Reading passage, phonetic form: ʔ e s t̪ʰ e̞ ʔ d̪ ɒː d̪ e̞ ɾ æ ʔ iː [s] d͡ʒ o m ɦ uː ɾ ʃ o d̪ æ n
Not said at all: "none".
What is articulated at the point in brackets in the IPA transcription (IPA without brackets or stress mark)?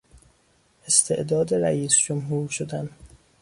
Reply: s